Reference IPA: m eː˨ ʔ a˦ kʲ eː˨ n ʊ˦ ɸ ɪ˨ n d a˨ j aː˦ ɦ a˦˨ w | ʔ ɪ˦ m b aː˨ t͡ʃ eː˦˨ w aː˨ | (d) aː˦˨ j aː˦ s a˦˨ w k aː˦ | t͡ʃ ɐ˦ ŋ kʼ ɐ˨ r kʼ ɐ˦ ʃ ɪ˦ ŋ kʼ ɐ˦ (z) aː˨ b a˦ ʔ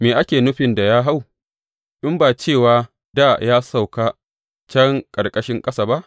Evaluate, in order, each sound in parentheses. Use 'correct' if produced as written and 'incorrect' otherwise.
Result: correct, incorrect: s

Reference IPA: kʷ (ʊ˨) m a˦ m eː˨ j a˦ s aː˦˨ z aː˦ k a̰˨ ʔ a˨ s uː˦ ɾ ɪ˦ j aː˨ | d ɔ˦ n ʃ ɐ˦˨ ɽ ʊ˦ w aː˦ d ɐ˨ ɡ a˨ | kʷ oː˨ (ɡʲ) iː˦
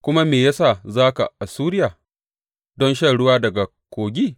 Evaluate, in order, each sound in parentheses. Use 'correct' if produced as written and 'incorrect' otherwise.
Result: incorrect: ʊ˦, correct

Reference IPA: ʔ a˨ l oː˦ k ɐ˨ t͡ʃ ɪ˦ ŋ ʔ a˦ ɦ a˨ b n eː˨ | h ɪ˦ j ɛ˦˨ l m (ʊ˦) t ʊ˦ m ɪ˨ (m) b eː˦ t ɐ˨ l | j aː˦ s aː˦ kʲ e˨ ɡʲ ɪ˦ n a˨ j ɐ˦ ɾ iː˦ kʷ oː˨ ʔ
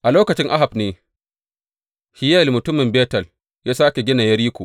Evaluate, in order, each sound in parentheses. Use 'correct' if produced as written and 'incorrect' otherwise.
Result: incorrect: ʊ˨, correct

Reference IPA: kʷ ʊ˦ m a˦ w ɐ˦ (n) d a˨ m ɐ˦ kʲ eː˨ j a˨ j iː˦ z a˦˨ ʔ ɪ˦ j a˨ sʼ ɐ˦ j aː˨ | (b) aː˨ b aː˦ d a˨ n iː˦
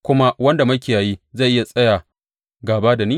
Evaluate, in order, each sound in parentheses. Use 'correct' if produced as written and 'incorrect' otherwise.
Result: correct, incorrect: ɡ

